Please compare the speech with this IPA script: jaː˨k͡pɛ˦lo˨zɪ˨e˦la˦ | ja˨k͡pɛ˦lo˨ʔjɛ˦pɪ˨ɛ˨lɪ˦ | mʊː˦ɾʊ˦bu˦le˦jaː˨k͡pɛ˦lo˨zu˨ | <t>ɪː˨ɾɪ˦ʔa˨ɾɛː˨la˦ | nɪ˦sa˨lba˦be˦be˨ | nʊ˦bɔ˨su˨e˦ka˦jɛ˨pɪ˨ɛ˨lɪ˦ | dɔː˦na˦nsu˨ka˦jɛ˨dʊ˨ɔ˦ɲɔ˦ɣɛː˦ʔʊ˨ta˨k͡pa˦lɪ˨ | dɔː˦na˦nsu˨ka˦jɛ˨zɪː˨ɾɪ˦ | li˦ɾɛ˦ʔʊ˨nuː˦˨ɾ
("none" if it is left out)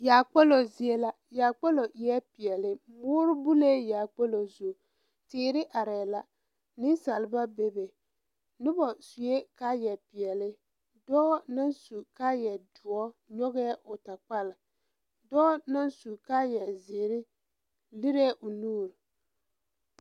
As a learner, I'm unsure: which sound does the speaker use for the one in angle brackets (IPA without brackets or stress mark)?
t